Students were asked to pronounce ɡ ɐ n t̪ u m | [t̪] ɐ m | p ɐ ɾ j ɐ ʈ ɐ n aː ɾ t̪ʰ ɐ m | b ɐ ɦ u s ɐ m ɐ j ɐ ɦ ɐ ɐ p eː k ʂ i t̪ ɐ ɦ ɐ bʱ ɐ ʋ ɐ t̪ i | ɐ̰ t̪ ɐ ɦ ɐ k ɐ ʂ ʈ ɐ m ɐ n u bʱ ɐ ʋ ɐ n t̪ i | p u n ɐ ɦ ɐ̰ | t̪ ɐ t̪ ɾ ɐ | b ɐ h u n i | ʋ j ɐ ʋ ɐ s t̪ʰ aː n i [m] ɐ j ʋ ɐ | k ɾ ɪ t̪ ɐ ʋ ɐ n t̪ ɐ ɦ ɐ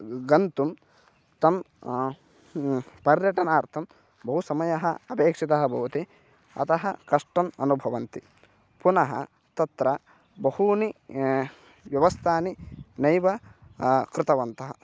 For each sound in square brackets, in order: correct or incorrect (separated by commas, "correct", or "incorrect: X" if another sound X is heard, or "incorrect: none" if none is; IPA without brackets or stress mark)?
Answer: correct, incorrect: n